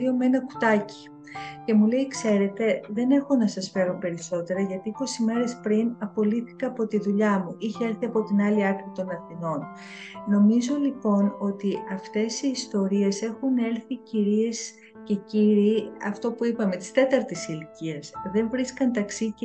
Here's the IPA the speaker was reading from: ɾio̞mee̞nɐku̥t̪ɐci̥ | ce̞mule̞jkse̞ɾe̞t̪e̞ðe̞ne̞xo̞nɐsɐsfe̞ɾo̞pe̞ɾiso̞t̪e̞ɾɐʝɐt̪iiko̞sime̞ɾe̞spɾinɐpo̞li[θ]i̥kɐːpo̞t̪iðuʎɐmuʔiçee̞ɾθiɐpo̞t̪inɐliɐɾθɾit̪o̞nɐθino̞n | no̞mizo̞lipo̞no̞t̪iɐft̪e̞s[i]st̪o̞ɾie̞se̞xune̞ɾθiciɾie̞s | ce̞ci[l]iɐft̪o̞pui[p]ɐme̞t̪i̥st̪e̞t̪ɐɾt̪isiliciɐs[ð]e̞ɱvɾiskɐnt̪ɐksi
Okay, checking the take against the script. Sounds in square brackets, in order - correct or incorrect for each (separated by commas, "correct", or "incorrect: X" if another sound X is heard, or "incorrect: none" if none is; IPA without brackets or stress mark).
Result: correct, incorrect: iː, incorrect: ɾ, correct, correct